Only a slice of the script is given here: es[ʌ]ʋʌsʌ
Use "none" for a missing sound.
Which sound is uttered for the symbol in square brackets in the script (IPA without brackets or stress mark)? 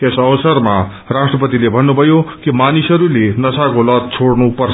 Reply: ʌ